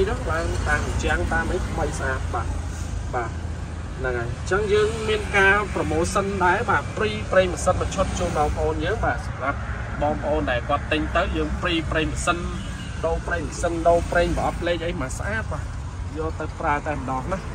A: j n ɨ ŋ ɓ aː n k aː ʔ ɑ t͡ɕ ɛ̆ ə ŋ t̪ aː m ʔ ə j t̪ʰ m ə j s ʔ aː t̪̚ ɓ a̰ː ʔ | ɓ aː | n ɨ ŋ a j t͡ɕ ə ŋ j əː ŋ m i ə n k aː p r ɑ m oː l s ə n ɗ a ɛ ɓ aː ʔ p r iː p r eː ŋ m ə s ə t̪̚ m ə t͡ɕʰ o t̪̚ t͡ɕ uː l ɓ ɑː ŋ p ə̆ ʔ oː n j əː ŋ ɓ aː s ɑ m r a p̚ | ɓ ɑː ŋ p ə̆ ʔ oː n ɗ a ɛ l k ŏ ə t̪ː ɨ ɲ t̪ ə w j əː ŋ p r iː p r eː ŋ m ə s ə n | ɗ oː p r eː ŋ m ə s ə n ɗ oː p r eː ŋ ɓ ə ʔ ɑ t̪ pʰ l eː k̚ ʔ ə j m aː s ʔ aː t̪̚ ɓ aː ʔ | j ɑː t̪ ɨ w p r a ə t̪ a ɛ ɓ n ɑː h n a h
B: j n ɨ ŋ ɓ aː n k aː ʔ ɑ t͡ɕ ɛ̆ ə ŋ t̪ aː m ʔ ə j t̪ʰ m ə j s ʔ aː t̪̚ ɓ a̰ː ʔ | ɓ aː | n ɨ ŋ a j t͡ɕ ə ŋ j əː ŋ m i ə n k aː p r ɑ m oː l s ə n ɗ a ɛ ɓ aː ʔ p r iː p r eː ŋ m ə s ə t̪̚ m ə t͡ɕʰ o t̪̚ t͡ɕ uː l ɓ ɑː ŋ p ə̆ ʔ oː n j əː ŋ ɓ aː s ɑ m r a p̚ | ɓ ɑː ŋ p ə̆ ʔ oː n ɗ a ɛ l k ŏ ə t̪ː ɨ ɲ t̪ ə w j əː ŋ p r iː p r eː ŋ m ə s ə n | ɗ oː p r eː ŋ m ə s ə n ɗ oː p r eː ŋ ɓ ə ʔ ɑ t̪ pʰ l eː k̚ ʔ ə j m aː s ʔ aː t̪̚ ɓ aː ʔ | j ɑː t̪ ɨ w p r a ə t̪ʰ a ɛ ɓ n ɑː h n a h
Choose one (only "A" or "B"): A